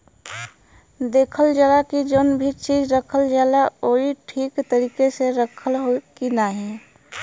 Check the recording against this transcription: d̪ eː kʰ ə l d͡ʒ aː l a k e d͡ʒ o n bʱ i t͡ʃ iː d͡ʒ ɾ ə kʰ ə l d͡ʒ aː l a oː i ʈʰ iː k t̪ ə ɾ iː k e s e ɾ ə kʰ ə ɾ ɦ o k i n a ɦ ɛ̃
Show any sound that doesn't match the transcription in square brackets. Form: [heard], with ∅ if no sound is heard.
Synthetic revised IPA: d̪ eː kʰ ə l d͡ʒ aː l a k [i] d͡ʒ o n bʱ i t͡ʃ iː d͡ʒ ɾ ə kʰ ə l d͡ʒ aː l a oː i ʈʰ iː k t̪ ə ɾ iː k e s e ɾ ə kʰ ə [l] ɦ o k i n a ɦ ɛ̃